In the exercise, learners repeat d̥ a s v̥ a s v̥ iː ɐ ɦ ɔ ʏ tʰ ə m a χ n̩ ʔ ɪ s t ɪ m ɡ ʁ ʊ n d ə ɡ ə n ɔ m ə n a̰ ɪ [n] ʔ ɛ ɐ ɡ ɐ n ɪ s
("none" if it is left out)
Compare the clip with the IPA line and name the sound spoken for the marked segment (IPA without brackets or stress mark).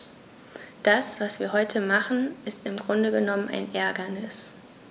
n